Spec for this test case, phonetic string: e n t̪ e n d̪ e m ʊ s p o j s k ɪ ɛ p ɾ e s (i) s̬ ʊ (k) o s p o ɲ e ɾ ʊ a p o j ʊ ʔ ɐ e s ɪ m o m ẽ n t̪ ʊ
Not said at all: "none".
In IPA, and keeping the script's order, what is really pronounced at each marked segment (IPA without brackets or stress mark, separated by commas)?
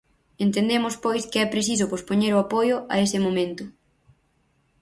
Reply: i, p